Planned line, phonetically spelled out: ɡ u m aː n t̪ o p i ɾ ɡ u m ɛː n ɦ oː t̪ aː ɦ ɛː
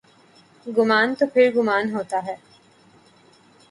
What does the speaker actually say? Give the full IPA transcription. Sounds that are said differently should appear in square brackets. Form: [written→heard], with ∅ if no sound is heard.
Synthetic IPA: ɡ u m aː n t̪ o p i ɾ ɡ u m [ɛː→aː] n ɦ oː t̪ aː ɦ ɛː

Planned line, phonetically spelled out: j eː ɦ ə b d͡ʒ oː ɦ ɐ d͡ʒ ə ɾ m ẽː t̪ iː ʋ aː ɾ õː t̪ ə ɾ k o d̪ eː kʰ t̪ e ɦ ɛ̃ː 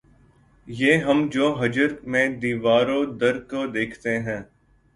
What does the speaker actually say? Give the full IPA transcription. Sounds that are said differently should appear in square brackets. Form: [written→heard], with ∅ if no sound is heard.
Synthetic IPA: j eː ɦ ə [b→m] d͡ʒ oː ɦ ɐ d͡ʒ ə ɾ m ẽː [t̪→d̪] iː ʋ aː ɾ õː [t̪→d̪] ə ɾ k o d̪ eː kʰ t̪ e ɦ ɛ̃ː

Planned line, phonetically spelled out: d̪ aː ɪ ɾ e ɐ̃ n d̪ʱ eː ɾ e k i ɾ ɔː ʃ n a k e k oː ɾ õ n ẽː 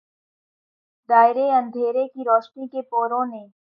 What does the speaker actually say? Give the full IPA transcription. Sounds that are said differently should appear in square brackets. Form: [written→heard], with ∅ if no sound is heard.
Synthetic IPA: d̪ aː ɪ ɾ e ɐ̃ n d̪ʱ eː ɾ e k i ɾ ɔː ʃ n [a→i] k e [k→p] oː ɾ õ n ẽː

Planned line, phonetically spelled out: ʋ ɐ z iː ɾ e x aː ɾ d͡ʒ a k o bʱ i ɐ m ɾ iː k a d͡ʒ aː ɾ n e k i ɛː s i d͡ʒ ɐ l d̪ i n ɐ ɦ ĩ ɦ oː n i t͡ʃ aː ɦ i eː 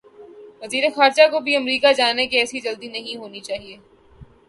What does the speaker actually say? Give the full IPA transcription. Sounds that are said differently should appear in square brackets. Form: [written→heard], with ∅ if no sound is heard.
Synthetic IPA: ʋ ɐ z iː ɾ e x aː ɾ d͡ʒ a k o bʱ i ɐ m ɾ iː k a d͡ʒ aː [ɾ→∅] n e k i ɛː s i d͡ʒ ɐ l d̪ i n ɐ ɦ ĩ ɦ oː n i t͡ʃ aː ɦ i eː

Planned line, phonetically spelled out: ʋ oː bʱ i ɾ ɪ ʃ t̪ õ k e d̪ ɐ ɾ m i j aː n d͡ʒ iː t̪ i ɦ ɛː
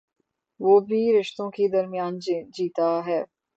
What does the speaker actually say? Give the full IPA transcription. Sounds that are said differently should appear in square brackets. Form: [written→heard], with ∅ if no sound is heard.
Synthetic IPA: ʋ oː bʱ i ɾ ɪ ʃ t̪ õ k e d̪ ɐ ɾ m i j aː n d͡ʒ iː t̪ [i→a] ɦ ɛː

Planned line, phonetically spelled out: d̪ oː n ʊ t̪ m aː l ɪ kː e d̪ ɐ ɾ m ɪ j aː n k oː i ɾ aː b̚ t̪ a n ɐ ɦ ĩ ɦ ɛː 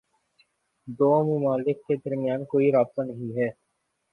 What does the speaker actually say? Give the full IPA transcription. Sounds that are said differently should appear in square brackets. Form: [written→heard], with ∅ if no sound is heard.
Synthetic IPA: d̪ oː [n→m] ʊ [t̪→∅] m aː l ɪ kː e d̪ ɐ ɾ m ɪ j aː n k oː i ɾ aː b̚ t̪ a n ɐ ɦ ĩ ɦ ɛː

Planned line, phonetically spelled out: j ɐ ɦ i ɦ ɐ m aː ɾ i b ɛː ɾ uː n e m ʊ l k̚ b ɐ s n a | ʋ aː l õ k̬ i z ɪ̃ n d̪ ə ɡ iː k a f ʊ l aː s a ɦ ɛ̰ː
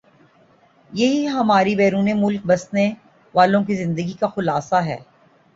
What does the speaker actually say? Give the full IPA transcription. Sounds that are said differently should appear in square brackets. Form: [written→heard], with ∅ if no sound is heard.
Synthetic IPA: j ɐ ɦ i ɦ ɐ m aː ɾ i b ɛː ɾ uː n e m ʊ l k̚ b ɐ s n [a→e] | ʋ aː l õ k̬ i z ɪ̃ n d̪ ə ɡ [iː→i] k a [f→x] ʊ l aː s a ɦ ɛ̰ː

